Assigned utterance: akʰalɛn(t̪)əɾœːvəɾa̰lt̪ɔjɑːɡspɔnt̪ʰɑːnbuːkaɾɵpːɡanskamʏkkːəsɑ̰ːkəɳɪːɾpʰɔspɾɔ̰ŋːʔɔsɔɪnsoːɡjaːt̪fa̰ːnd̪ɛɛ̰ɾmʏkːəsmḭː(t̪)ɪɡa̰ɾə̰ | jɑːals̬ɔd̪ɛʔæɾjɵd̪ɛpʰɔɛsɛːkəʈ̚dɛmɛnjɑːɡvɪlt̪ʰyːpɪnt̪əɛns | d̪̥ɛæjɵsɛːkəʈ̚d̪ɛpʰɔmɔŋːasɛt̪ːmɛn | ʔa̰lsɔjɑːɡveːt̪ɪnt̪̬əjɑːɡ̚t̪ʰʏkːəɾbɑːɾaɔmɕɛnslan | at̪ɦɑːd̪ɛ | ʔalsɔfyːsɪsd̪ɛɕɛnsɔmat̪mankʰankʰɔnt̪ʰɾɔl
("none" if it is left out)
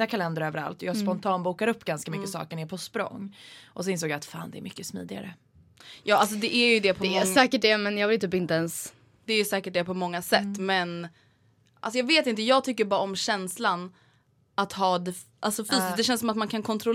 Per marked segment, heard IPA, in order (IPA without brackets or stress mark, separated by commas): d̪, d̪